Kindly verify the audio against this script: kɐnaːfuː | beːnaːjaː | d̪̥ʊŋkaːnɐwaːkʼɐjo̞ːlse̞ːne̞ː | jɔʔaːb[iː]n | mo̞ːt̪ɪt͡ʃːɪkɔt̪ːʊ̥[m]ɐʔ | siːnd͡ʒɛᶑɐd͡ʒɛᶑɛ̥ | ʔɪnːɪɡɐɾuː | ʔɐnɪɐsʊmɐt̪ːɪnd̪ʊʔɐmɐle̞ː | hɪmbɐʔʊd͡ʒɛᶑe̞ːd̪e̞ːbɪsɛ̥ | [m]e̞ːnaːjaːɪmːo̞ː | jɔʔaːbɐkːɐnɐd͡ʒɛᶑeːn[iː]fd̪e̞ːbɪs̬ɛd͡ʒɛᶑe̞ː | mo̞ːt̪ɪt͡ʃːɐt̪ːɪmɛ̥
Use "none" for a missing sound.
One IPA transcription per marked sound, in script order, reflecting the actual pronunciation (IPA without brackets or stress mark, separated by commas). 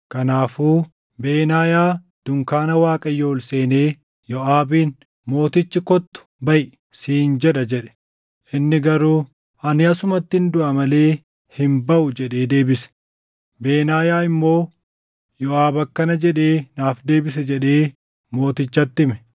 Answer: iː, b, b, aː